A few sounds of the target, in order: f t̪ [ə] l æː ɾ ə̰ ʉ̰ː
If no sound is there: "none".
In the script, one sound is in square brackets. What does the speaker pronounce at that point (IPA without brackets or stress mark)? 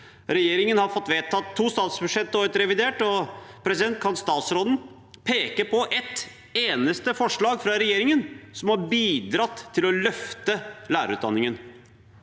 ə